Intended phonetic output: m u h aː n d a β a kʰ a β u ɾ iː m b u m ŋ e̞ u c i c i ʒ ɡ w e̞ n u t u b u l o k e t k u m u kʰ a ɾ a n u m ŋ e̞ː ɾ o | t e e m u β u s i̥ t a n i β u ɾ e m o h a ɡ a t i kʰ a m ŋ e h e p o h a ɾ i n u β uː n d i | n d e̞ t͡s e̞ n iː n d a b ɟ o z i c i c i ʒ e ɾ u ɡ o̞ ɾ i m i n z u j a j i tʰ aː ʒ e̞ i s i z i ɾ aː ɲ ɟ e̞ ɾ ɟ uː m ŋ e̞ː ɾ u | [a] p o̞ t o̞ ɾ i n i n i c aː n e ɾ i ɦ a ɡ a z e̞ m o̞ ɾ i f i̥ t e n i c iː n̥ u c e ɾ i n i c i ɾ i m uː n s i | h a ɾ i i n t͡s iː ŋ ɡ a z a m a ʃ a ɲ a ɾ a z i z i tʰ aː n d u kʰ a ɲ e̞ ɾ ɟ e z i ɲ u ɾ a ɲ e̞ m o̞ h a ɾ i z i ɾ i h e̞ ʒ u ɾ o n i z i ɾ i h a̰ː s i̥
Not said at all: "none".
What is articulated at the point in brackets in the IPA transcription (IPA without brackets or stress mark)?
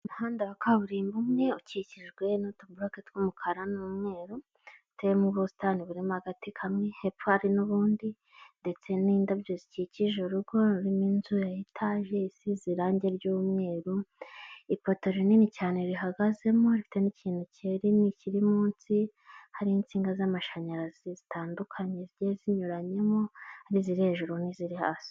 i